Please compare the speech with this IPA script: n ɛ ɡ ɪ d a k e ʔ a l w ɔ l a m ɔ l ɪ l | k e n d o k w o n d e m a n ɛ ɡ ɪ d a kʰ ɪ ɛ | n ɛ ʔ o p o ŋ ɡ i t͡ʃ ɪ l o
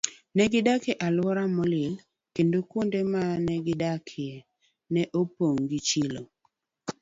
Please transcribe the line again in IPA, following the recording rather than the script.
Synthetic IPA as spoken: n ɛ ɡ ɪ d a k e ʔ a l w ɔ ɾ a m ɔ l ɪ l | k e n d o k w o n d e m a n ɛ ɡ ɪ d a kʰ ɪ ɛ | n ɛ ʔ o p o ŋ ɡ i t͡ʃ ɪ l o